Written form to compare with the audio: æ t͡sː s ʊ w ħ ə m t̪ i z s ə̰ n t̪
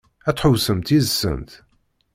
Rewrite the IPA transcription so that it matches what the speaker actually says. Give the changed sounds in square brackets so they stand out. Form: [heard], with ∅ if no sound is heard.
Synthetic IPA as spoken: æ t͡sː [ħ] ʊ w [s] ə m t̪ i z s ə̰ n t̪

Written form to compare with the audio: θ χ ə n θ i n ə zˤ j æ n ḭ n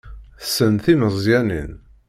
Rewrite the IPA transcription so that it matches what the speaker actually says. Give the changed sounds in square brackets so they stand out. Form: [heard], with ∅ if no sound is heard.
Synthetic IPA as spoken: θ [s] ə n θ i [m] ə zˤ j æ n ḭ n

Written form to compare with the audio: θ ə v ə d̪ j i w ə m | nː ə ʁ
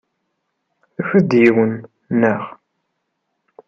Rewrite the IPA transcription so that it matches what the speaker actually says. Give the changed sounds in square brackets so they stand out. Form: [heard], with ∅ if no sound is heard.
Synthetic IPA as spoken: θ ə [f] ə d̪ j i w ə [n] | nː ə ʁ

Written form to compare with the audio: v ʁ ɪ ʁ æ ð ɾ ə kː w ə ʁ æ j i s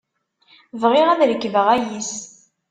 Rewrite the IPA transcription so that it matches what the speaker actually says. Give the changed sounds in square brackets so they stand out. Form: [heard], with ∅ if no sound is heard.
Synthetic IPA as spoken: v ʁ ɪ ʁ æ ð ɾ ə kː [v] ə ʁ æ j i s

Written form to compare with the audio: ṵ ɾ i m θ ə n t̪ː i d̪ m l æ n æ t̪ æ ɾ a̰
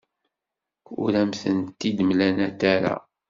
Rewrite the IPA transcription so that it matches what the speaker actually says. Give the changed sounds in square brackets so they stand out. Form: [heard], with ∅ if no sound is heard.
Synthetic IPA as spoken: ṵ ɾ [æ] m θ ə n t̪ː i d̪ m l æ n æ t̪ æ ɾ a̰

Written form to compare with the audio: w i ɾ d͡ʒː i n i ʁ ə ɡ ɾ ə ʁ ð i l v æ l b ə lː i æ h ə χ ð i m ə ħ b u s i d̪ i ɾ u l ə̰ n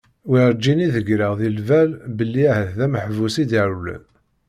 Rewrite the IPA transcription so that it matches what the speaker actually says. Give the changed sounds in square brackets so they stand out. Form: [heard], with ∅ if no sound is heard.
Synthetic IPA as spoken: w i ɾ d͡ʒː i n i [ð] ə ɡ ɾ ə ʁ ð i l v æ l b ə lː i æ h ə [θ] ð [æ] m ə ħ [v] u s i d̪ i ɾ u l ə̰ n

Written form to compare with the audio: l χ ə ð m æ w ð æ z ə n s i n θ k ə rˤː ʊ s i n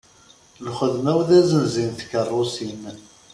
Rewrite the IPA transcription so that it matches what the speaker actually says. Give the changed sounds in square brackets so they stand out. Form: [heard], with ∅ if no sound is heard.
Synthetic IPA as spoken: l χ ə ð m æ w ð æ z ə n [z] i n θ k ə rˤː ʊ s i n

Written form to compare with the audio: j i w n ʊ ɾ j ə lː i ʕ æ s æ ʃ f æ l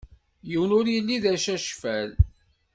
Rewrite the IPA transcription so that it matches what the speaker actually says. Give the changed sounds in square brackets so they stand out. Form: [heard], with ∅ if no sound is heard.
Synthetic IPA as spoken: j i w n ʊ ɾ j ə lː i [ð] æ [ʃ] æ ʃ f æ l

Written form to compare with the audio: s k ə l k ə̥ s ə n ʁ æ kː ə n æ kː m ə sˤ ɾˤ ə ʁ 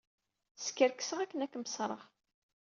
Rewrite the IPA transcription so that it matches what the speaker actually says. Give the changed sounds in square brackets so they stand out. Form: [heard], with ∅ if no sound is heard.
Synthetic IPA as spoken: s k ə [ɾ] k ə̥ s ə [∅] ʁ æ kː ə n æ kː m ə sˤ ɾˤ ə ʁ

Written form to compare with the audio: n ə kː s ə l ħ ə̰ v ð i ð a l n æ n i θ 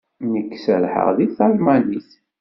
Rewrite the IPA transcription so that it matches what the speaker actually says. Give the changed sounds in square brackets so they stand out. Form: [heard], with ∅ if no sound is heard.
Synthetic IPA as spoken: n ə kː s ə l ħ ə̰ [ʁ] ð i [θ] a l [m] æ n i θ

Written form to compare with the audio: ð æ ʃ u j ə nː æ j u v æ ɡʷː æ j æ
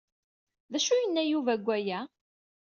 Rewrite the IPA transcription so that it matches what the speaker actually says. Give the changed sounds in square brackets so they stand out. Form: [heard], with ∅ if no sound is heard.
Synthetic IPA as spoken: ð æ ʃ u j ə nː æ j u v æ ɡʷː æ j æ

